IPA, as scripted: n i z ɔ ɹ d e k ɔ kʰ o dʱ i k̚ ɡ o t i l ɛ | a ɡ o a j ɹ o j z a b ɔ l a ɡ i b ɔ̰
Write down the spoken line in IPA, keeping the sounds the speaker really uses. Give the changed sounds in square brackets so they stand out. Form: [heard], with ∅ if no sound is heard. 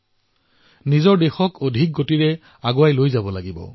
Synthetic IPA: n i z ɔ ɹ d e [x] ɔ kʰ o dʱ i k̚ ɡ o t i [ɹ] ɛ | a ɡ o a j [l] o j z a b ɔ l a ɡ i b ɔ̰